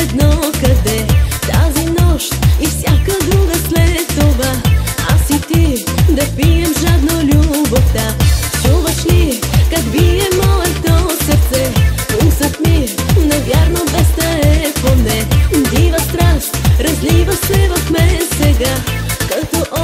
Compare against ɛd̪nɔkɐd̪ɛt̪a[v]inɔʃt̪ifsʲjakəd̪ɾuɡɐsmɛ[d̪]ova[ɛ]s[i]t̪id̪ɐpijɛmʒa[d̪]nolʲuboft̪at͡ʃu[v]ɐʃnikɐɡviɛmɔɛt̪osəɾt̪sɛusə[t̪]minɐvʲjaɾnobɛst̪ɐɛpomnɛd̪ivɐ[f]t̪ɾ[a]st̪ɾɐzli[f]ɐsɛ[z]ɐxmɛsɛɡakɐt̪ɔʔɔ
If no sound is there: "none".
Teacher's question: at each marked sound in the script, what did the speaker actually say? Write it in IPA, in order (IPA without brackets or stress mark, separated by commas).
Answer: z, t̪, a, i, d̪, v, t̪, s, a, v, v